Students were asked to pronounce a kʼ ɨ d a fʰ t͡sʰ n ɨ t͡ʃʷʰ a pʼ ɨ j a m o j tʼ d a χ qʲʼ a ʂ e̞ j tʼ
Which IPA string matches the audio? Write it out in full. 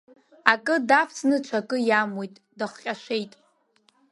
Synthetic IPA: a kʼ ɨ d a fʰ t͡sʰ n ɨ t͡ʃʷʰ a kʼ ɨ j a m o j tʼ d a χ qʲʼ a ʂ e̞ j tʼ